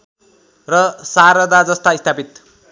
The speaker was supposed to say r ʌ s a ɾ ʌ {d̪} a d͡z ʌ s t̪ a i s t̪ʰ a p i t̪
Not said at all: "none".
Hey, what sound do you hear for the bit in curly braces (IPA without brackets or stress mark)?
d̪